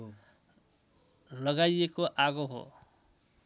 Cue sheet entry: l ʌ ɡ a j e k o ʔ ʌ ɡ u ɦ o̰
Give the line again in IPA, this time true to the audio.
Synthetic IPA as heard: l ʌ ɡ a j e k o ʔ a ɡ o ɦ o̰